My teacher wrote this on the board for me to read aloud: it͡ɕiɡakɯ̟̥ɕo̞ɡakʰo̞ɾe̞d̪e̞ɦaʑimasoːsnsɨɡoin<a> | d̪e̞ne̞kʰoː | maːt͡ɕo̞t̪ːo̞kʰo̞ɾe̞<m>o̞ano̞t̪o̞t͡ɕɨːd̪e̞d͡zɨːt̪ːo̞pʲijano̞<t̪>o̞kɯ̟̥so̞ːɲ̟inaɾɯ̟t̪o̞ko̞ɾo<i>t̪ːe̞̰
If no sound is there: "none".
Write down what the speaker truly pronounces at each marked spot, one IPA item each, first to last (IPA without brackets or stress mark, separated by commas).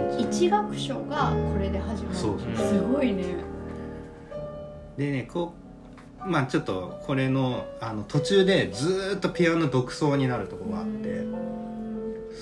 e, n, d̪, a